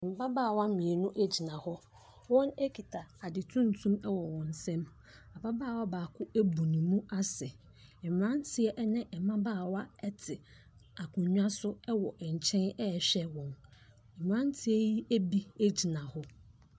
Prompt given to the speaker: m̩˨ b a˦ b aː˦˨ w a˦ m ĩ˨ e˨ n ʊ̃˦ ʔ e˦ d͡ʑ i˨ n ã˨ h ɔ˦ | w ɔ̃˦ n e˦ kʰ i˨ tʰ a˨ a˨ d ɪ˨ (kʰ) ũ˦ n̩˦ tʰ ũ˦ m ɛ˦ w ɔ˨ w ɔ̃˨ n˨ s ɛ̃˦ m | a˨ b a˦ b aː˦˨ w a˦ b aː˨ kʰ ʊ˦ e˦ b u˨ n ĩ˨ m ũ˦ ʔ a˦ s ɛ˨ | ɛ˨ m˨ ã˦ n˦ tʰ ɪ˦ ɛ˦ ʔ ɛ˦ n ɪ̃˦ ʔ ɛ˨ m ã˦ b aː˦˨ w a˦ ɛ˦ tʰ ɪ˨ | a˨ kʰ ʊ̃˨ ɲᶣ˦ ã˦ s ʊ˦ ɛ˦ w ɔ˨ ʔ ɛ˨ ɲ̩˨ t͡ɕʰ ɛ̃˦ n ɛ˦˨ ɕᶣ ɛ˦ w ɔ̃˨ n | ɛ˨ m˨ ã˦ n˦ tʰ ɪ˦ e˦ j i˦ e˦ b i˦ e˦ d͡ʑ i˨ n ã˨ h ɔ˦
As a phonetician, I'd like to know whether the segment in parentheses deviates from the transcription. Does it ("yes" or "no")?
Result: yes